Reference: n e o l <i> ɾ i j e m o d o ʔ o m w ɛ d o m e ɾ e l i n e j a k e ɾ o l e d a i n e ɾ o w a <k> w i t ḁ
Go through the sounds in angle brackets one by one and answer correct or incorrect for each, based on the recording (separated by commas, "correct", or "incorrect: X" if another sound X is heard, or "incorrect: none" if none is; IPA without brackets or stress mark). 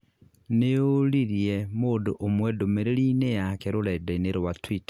correct, incorrect: t